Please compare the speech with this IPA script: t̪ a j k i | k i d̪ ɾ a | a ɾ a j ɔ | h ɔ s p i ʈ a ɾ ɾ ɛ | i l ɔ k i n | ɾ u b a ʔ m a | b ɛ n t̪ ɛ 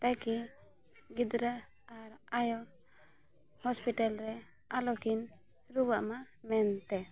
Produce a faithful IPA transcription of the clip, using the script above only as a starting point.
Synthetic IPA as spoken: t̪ a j k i | ɡ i d̪ ɾ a | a ɾ a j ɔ | h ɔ s p i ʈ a l ɾ ɛ | a l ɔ k i n | ɾ u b a ʔ m a | m ɛ n t̪ ɛ